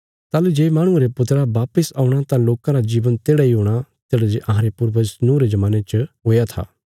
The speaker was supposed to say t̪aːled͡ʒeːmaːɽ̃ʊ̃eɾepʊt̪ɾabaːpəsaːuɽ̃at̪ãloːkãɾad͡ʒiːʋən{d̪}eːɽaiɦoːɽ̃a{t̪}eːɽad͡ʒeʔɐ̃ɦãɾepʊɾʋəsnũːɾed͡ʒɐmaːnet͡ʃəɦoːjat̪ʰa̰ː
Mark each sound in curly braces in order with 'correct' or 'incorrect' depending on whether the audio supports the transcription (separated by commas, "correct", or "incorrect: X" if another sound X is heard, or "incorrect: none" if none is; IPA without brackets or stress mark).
incorrect: t̪, correct